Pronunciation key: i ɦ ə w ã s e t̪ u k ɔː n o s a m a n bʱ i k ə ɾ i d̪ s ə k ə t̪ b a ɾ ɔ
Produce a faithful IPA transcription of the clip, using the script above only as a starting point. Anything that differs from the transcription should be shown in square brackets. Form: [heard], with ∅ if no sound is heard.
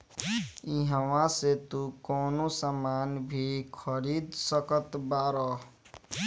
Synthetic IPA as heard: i ɦ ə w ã s e t̪ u k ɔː n o s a m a n bʱ i [kʰ] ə ɾ i d̪ s ə k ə t̪ b a ɾ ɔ